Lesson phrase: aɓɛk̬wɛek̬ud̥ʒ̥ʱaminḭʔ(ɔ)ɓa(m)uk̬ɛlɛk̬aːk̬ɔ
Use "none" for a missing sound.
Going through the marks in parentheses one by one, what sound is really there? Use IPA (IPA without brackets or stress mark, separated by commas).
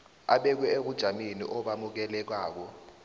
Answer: ɔ, m